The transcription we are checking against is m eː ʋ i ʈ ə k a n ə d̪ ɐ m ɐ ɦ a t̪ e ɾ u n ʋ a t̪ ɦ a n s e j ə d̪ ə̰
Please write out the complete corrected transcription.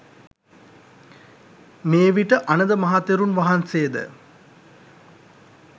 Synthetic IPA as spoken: m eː ʋ i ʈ ə ʔ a n ə d̪ ə m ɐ ɦ a t̪ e ɾ u n ʋ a ɦ a n s e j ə d̪ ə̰

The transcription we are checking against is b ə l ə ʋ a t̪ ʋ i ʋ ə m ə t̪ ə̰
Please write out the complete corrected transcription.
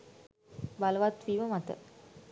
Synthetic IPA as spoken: b a l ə ʋ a t̪ ʋ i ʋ ə m a t̪ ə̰

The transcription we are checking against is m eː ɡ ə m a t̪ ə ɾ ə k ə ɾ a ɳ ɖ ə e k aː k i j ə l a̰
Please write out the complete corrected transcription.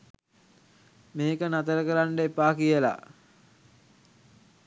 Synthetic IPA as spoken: m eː k ə n a t̪ ə ɾ ə k ə ɾ a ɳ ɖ ə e p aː k i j ə l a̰

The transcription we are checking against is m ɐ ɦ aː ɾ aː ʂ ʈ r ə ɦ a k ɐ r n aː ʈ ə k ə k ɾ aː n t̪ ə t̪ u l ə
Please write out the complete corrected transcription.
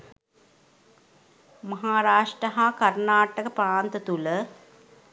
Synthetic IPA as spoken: m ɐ ɦ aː ɾ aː ʂ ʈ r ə ɦ a k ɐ r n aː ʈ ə k ə p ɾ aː n t̪ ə t̪ u l ə

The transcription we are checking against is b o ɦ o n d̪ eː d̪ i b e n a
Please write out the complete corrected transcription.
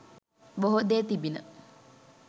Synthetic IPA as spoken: b o ɦ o d̪ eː t̪ i b i n ə

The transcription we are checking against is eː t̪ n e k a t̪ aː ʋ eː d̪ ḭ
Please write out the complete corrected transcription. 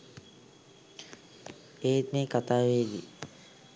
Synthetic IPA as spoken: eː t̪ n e k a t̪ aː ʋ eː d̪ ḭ

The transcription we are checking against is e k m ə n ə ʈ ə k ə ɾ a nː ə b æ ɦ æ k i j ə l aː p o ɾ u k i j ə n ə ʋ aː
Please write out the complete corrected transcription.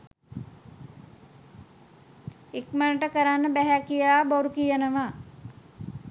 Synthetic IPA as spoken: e k m ə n ə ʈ ə k ə ɾ a nː ə b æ ɦ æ k i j ə l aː b o ɾ u k i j ə n ə ʋ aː

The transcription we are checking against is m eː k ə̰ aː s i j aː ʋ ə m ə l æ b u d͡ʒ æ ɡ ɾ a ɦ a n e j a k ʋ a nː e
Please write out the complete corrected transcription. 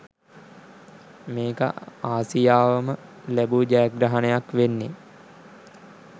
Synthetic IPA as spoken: m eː k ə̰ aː s i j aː ʋ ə m ə l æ b u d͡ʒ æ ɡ ɾ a ɦ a n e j a k ʋ e nː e

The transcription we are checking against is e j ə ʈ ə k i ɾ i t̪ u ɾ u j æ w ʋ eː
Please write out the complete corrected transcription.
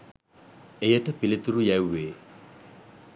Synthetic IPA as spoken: e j ə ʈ ə p i l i t̪ u ɾ u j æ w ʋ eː

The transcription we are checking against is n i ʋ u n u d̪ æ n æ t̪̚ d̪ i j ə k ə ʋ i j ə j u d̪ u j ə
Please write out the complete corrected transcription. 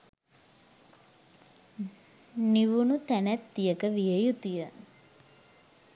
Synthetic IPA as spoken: n i ʋ u n u t̪ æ n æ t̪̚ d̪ i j ə k ə ʋ i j ə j u t̪ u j ə

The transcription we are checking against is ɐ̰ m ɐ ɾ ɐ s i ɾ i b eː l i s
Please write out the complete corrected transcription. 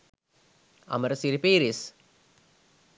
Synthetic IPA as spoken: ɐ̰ m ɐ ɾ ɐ s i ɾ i p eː ɾ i s

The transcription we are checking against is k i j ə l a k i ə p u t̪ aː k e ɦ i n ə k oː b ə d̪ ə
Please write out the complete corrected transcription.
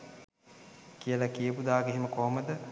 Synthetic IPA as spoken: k i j ə l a k i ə p u d̪ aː ɡ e ɦ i m ə k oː m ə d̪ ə

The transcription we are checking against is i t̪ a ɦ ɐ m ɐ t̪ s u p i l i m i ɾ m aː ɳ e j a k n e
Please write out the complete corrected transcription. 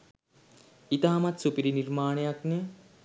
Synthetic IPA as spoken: i t̪ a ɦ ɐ m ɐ t̪ s u p i ɾ i n i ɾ m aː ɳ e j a k n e

